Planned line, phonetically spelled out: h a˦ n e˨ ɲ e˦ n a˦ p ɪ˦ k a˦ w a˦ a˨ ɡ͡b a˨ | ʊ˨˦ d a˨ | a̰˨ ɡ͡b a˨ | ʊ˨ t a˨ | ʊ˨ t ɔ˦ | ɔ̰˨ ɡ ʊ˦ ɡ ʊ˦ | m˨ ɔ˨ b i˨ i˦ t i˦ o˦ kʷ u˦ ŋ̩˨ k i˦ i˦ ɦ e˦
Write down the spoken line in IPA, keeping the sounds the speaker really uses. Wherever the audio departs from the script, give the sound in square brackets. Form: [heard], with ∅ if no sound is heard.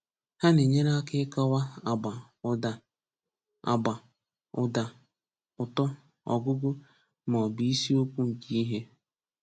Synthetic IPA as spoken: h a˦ n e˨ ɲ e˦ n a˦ [k] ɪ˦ k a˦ w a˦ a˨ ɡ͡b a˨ | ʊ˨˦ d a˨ | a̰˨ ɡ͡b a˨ | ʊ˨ [d] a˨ | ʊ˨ t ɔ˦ | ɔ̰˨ ɡ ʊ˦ ɡ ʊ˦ | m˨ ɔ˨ b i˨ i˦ [s] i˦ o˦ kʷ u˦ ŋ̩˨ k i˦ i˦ ɦ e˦